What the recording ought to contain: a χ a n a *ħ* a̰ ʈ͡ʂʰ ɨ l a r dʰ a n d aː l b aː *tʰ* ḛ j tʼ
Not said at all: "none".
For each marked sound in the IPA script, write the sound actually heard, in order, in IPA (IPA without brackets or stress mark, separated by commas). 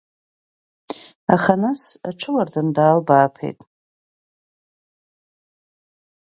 s, pʰ